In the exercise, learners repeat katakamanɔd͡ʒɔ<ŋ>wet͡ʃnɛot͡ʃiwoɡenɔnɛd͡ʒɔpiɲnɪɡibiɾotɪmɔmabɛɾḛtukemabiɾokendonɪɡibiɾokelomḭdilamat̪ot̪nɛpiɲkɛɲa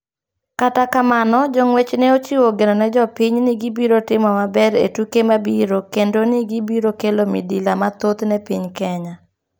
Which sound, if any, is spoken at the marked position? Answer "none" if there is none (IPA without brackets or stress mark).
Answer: ŋ